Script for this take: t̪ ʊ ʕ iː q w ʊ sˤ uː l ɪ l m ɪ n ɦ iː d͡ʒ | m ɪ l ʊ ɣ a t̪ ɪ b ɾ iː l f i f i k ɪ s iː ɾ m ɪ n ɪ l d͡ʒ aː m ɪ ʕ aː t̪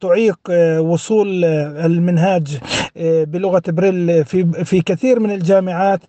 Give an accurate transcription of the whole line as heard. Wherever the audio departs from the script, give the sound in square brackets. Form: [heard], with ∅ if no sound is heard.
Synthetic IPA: t̪ ʊ ʕ iː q w ʊ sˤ uː l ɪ l m ɪ n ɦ [aː] d͡ʒ | [b] ɪ l ʊ ɣ a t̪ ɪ b ɾ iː l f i f i k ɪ [θ] iː ɾ m ɪ n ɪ l d͡ʒ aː m ɪ ʕ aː t̪